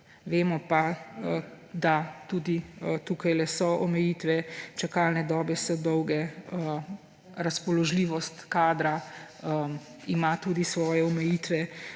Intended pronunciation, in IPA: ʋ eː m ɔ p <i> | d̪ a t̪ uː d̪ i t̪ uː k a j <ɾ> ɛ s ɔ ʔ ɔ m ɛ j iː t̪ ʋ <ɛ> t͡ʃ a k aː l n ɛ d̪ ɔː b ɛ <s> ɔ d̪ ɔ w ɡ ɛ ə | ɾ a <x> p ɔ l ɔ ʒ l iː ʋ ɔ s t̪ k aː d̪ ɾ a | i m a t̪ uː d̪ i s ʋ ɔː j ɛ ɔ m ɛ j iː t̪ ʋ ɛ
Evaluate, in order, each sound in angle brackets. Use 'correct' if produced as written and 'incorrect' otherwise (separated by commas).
incorrect, incorrect, correct, correct, incorrect